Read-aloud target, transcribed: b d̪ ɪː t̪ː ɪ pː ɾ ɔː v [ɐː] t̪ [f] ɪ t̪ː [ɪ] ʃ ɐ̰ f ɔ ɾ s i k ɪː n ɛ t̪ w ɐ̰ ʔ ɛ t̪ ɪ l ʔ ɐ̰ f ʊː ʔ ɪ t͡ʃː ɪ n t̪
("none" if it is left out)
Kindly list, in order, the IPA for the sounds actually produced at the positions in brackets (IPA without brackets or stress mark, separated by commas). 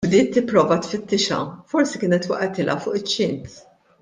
ɐ, f, ɪ